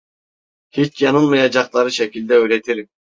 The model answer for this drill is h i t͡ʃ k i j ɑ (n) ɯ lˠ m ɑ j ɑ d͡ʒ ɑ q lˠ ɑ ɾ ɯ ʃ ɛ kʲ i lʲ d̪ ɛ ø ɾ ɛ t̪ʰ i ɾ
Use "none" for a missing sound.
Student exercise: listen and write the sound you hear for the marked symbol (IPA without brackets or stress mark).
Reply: n